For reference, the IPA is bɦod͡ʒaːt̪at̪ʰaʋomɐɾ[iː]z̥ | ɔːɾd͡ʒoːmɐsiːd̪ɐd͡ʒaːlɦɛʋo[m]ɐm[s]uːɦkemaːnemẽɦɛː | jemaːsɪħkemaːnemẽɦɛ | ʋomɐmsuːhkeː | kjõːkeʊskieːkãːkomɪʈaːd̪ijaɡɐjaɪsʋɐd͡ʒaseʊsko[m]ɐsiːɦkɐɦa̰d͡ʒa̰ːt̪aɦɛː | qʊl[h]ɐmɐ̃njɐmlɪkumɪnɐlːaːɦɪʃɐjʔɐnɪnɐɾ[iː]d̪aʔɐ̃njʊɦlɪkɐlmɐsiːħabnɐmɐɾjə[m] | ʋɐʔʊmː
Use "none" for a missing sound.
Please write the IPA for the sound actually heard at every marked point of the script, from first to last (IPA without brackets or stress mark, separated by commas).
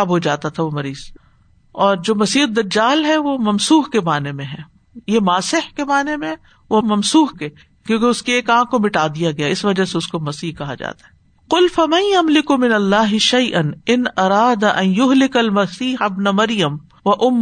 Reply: iː, m, s, m, f, aː, m